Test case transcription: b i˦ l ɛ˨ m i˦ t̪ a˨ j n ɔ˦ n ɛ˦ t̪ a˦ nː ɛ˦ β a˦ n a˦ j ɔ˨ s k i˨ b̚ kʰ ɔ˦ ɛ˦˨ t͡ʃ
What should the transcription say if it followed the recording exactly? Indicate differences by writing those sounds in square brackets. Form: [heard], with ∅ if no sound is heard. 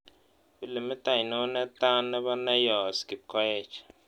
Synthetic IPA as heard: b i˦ l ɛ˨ m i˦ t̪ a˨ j n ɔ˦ n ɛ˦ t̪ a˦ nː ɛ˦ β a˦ n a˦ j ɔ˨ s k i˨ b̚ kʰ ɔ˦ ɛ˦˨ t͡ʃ